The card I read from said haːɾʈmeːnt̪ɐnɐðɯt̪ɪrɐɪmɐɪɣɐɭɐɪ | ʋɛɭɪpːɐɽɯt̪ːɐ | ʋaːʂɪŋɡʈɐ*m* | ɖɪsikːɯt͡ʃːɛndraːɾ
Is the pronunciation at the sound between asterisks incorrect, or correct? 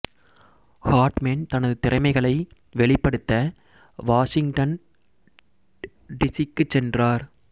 incorrect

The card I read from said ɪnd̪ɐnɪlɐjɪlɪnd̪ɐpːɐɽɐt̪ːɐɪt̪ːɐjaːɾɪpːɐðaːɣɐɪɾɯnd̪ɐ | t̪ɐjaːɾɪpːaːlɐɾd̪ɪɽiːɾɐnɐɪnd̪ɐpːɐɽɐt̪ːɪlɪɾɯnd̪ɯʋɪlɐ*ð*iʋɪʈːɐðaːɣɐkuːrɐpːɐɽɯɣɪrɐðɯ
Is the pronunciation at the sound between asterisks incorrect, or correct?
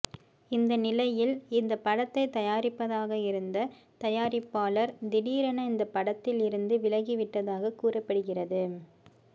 incorrect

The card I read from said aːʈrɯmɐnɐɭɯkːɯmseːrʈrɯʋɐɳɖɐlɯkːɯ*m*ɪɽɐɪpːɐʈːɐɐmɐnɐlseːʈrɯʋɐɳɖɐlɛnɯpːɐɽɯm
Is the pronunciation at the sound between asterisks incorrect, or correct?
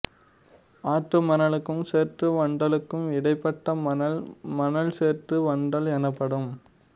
correct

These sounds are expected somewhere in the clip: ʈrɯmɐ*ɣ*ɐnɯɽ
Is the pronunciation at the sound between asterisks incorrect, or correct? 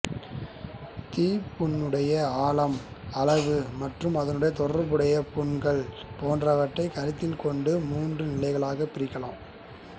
incorrect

